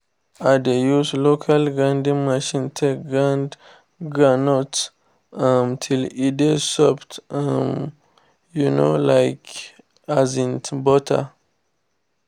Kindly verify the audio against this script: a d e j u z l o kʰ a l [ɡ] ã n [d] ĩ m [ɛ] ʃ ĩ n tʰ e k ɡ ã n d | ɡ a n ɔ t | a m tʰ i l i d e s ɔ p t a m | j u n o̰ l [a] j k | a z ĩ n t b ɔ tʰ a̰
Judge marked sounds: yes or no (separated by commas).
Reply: yes, yes, no, yes